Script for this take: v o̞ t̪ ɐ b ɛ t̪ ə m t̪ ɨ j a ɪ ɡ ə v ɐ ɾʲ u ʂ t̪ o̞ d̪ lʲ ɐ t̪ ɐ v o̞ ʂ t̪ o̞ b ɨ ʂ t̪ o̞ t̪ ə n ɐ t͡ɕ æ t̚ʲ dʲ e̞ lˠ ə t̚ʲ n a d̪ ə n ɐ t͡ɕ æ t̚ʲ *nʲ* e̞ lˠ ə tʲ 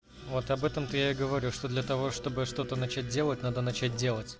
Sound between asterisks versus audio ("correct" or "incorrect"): incorrect